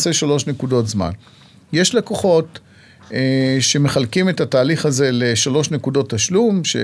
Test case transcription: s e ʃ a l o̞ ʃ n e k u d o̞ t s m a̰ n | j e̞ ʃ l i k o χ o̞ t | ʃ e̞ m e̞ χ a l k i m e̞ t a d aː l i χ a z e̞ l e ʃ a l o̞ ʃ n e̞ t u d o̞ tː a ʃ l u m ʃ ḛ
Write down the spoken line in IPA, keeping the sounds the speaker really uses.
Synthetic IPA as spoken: s e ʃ a l o̞ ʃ n e k u d o̞ t z m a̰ n | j e̞ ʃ l e k o χ o̞ t | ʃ e̞ m e̞ χ a l k i m e̞ t a t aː l i χ a z e̞ l e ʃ a l o̞ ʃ n e̞ k u d o̞ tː a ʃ l u m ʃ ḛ